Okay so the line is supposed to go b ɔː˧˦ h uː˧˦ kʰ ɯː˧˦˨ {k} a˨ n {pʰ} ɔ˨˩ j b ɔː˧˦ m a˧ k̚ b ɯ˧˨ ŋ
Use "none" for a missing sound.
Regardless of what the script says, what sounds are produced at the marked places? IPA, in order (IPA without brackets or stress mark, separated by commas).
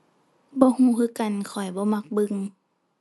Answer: k, kʰ